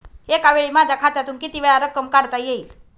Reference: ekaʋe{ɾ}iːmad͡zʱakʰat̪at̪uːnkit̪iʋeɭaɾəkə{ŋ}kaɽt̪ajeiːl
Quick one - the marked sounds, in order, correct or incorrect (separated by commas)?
incorrect, incorrect